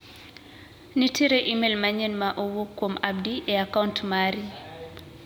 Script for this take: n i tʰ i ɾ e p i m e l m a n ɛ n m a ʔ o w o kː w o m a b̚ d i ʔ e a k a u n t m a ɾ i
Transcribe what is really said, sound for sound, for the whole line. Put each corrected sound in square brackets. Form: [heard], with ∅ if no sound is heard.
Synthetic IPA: n i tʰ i ɾ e [ʔ] i m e l m a [ɲ] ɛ n m a ʔ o w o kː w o m a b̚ d i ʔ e a k a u n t m a ɾ i